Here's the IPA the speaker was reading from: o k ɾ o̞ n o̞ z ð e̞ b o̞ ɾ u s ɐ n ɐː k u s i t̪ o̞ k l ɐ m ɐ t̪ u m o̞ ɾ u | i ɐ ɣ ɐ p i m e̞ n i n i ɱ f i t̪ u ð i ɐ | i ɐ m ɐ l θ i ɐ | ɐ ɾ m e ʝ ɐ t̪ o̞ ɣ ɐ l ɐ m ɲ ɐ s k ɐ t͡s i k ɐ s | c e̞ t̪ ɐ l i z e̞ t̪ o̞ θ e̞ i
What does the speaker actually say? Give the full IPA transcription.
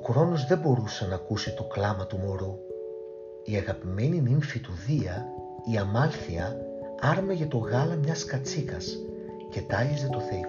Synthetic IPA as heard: o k ɾ o̞ n o̞ z ð e̞ b o̞ ɾ u s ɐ n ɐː k u s i t̪ o̞ k l ɐ m ɐ t̪ u m o̞ ɾ u | i ɐ ɣ ɐ p i m e̞ n i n i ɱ f i t̪ u ð i ɐ | i ɐ m ɐ l θ i ɐ | ɐ ɾ m e ʝ ɐ t̪ o̞ ɣ ɐ l ɐ m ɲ ɐ s k ɐ t͡s i k ɐ s | c e̞ t̪ ɐ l i z e̞ t̪ o̞ θ e̞ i